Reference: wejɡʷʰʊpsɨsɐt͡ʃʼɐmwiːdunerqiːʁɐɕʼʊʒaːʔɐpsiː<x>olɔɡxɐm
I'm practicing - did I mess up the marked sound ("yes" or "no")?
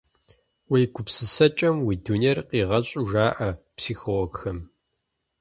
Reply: no